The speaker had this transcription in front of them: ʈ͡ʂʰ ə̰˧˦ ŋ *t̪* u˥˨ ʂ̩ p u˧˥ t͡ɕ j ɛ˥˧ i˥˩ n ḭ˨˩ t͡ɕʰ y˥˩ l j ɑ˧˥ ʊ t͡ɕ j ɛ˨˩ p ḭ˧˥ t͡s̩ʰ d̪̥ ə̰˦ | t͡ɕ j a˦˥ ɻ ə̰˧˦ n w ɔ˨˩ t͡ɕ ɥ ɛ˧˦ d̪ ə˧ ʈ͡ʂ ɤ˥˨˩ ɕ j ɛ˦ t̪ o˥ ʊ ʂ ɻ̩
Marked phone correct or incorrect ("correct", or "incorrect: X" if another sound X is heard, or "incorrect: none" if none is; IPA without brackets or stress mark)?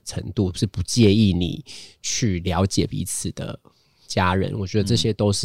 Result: correct